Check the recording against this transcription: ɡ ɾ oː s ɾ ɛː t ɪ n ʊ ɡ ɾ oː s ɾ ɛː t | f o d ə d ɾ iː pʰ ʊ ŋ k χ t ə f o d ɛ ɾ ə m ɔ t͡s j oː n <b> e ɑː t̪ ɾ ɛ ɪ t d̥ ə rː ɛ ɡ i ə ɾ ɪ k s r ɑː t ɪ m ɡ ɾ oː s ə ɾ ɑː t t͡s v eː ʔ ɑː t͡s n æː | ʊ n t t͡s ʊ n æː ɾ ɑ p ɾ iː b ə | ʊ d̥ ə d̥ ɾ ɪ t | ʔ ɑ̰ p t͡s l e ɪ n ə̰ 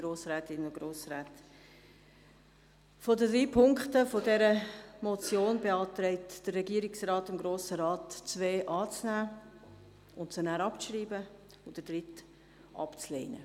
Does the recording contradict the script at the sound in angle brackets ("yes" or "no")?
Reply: no